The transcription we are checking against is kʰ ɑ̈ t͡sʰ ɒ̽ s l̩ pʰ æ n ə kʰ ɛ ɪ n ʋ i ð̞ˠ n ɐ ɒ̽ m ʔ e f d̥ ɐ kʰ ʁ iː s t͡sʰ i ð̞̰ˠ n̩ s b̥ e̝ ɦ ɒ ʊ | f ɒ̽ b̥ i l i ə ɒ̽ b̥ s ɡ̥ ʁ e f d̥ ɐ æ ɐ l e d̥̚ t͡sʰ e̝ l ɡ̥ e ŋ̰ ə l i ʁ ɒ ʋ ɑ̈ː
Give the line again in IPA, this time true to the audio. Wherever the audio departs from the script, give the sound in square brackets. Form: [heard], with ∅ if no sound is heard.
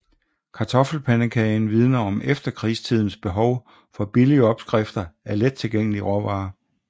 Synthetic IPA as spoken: kʰ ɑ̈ t͡sʰ ɒ̽ [f] l̩ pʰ æ n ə kʰ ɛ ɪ n ʋ i ð̞ˠ n ɐ ɒ̽ m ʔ e f d̥ ɐ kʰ ʁ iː s t͡sʰ i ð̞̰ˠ n̩ s b̥ e̝ ɦ ɒ ʊ | f ɒ̽ b̥ i l i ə ɒ̽ b̥ s ɡ̥ ʁ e f d̥ ɐ æ ɐ l e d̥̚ t͡sʰ e̝ l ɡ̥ e ŋ̰ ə l i ʁ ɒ ʋ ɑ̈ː